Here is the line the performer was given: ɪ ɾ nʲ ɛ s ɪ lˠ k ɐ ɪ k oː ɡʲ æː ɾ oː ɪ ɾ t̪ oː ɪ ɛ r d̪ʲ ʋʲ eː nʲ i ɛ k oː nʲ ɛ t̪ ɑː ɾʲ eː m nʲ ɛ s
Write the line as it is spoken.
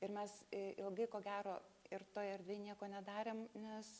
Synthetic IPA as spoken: ɪ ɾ mʲ ɛ s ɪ lˠ ɡ ɐ ɪ k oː ɡʲ æː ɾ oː ɪ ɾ t̪ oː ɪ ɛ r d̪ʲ ʋʲ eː nʲ i ɛ k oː nʲ ɛ d̪ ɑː ɾʲ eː m nʲ ɛ s